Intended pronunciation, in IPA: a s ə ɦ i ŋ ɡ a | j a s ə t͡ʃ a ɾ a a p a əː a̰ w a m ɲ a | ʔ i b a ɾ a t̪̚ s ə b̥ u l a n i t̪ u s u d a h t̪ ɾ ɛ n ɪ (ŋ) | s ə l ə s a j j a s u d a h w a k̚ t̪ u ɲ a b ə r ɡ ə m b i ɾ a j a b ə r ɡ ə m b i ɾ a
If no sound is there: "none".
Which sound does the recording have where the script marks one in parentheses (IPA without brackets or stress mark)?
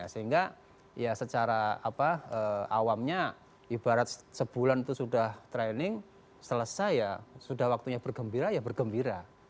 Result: ŋ